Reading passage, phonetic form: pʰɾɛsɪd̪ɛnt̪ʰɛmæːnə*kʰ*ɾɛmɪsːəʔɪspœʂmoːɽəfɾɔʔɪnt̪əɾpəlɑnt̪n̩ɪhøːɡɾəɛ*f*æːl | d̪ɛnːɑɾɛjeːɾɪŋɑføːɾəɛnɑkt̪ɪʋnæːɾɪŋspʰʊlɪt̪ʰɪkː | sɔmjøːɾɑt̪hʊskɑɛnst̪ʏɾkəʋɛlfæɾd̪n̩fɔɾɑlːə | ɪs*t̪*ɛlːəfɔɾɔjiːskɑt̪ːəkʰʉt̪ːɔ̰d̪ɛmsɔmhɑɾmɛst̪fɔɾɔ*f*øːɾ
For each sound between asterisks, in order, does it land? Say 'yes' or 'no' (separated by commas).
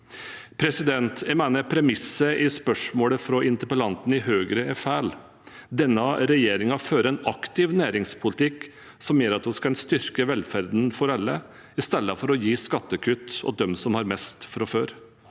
no, yes, yes, yes